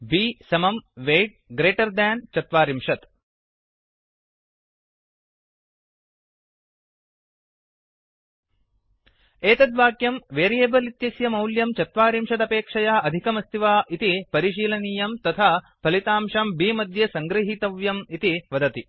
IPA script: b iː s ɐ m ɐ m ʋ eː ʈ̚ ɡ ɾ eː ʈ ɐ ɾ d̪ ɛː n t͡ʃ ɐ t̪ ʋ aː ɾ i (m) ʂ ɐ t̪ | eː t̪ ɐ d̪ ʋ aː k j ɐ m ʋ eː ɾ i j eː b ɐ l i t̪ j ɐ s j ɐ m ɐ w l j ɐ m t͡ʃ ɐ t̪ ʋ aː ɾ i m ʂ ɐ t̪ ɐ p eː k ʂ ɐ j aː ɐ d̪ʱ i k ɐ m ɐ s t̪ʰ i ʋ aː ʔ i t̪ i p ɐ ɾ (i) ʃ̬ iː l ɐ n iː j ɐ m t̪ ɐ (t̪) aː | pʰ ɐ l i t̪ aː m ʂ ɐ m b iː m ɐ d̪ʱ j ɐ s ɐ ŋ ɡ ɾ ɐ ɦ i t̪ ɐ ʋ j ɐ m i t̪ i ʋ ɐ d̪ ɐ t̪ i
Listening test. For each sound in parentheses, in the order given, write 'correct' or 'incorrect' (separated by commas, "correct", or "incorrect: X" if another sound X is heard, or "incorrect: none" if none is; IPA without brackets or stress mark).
correct, correct, incorrect: t̪ʰ